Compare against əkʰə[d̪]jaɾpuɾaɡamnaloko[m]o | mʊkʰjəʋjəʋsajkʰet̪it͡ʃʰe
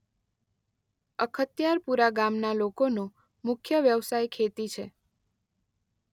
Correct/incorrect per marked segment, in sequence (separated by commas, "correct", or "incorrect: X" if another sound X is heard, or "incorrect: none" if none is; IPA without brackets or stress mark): incorrect: t̪, incorrect: n